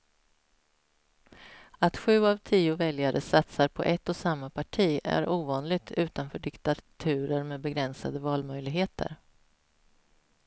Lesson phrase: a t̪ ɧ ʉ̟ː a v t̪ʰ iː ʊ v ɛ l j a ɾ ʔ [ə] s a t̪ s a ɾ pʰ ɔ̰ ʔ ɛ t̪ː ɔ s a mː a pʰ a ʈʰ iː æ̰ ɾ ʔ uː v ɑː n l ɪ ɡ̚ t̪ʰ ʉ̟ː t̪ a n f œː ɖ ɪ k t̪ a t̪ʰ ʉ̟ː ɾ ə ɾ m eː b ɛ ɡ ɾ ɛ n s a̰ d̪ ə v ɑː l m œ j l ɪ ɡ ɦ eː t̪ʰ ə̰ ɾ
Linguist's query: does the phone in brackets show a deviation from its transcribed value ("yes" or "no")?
no